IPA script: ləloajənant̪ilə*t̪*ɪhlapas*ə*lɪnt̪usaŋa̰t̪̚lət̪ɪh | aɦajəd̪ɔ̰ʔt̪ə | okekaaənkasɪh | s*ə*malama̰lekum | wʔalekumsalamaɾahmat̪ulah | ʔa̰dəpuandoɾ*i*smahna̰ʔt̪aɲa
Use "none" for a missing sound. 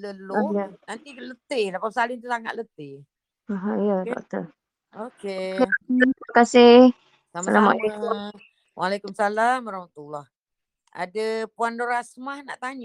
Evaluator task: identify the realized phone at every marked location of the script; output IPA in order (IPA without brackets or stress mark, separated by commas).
t̪, a, a, a